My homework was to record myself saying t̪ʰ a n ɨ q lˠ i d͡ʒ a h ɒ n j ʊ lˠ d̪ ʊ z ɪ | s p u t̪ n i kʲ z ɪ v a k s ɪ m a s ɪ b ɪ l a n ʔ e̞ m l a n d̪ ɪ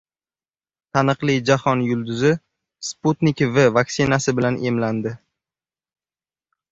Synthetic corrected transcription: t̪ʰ a n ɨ q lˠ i d͡ʒ a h ɒ n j ʊ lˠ d̪ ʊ z ɪ | s p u t̪ n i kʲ v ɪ v a k s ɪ n a s ɪ b ɪ l a n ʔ e̞ m l a n d̪ ɪ